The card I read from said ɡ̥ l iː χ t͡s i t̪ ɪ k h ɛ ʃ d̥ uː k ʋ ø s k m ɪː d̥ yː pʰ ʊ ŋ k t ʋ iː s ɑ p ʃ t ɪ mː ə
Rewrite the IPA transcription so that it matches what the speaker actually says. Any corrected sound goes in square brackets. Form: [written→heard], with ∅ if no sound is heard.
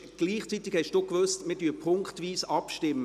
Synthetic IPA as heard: ɡ̥ l iː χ t͡s i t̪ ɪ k h ɛ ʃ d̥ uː k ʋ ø s [k→t] m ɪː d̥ yː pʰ ʊ ŋ k t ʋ iː s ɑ p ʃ t ɪ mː ə